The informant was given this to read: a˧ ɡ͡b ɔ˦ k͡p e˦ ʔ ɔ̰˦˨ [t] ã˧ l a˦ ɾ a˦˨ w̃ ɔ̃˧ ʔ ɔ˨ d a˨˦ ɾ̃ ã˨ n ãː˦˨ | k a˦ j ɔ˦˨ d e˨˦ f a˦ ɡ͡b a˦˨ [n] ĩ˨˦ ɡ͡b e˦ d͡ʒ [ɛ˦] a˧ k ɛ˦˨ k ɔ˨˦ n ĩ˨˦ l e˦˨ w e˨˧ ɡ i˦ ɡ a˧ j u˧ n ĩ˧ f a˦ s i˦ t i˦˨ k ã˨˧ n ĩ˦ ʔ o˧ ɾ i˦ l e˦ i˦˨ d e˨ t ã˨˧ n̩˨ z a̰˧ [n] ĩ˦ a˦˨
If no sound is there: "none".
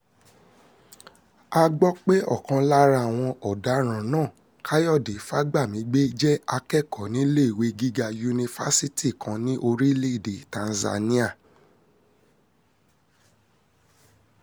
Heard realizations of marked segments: k, m, ɛ˦, n

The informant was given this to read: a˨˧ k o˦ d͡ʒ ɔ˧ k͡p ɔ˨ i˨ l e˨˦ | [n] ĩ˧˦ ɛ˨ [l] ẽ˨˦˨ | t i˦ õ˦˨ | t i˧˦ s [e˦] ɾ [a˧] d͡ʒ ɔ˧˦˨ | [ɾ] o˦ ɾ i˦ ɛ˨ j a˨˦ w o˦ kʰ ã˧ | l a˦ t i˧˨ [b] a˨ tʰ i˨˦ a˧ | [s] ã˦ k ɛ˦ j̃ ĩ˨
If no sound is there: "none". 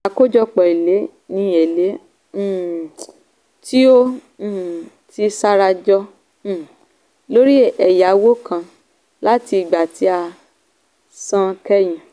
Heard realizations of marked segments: n, l, a˦, a˧, l, ɡ͡b, s

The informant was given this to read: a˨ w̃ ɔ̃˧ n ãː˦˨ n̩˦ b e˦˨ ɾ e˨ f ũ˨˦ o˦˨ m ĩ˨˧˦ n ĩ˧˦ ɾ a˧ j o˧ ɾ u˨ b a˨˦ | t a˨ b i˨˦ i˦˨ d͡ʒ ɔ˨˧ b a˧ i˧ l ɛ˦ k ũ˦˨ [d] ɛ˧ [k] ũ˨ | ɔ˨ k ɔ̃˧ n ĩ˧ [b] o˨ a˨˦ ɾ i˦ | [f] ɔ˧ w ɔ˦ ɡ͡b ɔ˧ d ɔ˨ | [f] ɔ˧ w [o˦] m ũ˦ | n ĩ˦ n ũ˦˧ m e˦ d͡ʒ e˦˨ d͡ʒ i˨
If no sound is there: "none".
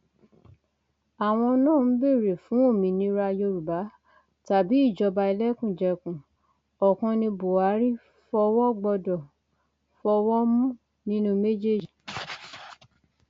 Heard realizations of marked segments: d͡ʒ, k, b, f, f, ɔ˦

